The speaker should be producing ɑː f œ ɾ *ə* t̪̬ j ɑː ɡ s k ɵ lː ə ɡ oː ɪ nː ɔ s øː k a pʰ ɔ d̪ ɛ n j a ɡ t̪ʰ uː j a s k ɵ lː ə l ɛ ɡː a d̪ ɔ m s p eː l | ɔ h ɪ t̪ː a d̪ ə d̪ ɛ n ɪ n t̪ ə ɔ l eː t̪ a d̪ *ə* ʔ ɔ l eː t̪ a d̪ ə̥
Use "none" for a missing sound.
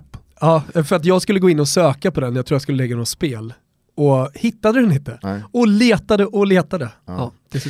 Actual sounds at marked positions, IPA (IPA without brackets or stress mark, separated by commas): a, ə